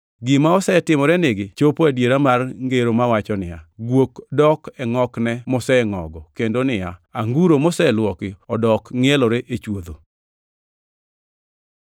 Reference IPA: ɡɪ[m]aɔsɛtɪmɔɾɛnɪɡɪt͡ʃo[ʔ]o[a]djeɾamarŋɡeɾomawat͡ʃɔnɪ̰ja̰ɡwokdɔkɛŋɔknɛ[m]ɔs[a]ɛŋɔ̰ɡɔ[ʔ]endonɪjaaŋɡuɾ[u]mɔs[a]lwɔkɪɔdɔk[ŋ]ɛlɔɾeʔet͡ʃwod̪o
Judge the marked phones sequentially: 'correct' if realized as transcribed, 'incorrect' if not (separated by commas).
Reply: correct, incorrect, correct, correct, incorrect, incorrect, incorrect, incorrect, correct